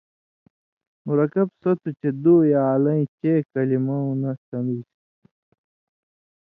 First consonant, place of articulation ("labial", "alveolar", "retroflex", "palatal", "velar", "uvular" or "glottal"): labial